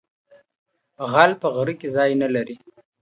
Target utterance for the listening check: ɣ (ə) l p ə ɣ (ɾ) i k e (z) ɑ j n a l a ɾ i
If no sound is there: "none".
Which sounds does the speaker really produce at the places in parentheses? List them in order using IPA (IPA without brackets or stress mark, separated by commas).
a, ɾ, z